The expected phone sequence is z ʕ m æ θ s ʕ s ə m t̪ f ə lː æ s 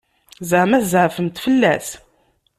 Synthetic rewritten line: z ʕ m æ θ z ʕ f ə m t̪ f ə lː æ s

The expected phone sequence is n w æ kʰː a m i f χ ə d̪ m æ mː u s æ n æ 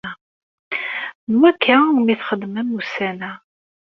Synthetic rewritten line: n w æ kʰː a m i θ χ ə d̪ m æ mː u s æ n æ

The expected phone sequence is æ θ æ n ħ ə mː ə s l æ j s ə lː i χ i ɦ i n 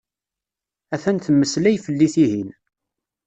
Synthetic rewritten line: æ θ æ n θ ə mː ə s l æ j f ə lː i θ i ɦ i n

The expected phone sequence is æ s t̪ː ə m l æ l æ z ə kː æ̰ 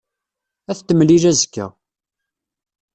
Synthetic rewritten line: æ θ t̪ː ə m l i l æ z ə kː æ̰

